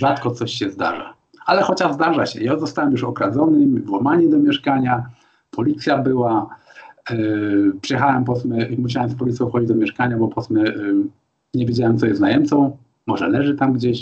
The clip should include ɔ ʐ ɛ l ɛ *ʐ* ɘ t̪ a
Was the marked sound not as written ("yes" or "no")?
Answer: no